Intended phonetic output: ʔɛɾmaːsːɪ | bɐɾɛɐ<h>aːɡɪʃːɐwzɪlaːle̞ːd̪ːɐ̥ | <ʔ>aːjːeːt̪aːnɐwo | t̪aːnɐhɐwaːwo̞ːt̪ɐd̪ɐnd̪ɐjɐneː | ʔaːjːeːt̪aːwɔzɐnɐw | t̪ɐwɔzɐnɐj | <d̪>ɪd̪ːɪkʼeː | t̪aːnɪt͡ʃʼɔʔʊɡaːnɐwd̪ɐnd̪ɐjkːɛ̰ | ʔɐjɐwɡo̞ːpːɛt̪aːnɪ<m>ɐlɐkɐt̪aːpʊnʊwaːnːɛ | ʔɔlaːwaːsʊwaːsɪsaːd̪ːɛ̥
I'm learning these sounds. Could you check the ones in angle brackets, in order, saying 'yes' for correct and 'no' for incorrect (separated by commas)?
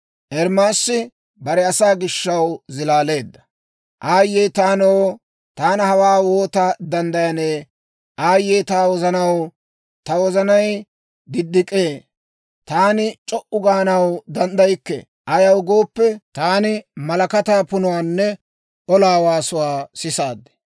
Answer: no, yes, yes, yes